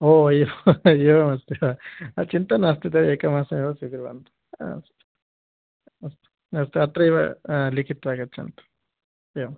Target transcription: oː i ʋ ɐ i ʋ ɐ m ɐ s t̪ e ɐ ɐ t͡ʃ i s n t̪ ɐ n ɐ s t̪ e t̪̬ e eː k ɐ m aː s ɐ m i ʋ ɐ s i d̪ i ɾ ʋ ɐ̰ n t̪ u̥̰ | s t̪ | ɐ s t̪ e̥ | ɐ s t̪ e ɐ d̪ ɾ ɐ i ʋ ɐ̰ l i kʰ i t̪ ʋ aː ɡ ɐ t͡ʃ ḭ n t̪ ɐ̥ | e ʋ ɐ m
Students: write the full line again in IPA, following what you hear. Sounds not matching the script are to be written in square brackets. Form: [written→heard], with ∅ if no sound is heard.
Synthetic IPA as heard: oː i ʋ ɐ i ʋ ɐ m ɐ s t̪ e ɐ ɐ t͡ʃ i [s→∅] n t̪ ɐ n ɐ s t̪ [e→i] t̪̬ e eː k ɐ m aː s ɐ m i ʋ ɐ s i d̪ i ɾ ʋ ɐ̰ n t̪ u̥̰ | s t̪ | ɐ s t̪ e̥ | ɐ s t̪ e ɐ [d̪→t̪] ɾ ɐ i ʋ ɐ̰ l i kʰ i t̪ ʋ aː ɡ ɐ t͡ʃ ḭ n t̪ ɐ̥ | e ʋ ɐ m